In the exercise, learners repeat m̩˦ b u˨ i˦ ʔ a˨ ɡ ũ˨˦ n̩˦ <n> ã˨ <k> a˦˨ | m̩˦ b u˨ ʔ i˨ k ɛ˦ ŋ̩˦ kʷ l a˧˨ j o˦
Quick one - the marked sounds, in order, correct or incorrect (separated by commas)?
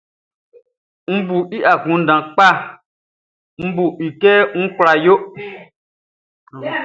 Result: incorrect, incorrect